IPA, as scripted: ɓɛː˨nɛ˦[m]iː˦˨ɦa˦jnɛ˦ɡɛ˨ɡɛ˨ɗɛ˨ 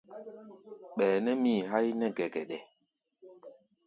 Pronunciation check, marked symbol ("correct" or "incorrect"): correct